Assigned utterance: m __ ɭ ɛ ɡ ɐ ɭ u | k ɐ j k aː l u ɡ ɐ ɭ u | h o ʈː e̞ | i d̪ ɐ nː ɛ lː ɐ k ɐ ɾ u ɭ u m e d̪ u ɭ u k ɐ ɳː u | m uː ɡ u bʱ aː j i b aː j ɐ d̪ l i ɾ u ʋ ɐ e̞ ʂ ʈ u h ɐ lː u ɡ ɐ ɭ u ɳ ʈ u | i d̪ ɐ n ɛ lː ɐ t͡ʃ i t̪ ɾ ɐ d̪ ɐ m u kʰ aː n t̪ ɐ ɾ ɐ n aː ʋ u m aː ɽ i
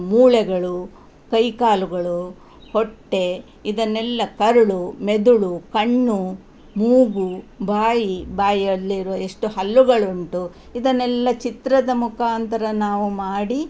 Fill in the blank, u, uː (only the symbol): uː